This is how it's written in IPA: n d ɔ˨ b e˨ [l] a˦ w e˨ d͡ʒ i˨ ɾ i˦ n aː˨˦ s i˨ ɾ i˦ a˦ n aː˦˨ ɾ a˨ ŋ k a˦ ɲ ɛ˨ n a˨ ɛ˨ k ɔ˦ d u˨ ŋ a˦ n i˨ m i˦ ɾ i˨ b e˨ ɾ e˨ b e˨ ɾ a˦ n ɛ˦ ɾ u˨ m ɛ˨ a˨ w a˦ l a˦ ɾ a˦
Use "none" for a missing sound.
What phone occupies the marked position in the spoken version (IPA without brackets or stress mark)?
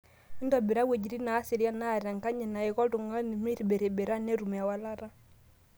ɾ